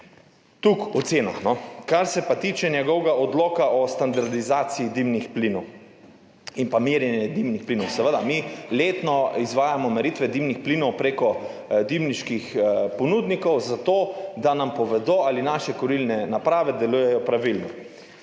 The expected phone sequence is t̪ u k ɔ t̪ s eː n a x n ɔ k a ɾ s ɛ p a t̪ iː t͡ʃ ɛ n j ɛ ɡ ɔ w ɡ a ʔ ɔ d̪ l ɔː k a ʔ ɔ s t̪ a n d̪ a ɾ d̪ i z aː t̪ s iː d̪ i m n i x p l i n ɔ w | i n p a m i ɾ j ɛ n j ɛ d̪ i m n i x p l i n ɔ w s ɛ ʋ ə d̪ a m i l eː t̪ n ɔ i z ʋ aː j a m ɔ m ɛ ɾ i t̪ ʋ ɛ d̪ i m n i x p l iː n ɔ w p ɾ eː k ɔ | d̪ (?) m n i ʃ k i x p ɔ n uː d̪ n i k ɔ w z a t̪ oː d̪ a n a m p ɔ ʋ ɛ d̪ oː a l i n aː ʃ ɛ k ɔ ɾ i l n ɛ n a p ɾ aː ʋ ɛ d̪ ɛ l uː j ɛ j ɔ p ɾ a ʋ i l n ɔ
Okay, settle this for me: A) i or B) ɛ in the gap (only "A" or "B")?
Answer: A